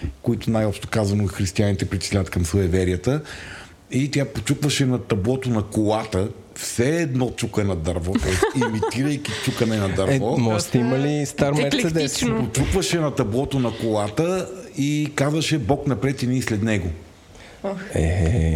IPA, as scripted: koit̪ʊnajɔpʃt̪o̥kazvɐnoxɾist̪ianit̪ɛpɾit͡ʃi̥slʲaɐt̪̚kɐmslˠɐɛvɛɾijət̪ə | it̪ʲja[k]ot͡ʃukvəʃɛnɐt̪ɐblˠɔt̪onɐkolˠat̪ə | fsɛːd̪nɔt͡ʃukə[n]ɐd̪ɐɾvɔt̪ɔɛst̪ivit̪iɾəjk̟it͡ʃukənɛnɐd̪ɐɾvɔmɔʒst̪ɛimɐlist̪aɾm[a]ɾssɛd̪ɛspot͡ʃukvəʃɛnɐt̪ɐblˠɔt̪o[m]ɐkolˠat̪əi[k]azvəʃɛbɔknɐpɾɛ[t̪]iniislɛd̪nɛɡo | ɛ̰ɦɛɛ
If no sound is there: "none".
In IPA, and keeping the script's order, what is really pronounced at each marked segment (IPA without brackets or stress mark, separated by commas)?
p, n, ɛ, n, k, t̪